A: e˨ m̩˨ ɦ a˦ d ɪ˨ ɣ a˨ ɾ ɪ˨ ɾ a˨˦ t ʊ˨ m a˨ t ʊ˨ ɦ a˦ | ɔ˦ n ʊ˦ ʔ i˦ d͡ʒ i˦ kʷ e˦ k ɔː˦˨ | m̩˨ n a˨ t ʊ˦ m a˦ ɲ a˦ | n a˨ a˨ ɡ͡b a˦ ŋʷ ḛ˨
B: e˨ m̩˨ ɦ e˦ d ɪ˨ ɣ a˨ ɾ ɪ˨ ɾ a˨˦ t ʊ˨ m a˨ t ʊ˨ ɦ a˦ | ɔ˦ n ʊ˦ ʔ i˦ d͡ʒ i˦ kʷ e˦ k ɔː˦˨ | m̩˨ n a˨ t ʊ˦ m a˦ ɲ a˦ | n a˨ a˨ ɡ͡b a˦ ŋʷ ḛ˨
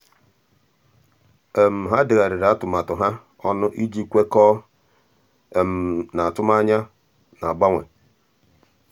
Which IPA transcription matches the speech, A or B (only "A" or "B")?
A